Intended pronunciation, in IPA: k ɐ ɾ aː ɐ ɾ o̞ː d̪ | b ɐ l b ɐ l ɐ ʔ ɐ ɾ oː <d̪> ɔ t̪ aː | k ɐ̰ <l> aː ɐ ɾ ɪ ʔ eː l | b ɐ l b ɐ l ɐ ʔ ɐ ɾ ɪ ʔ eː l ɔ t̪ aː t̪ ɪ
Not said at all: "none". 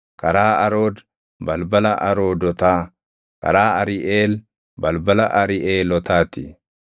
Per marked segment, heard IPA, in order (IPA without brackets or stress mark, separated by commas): d̪, ɾ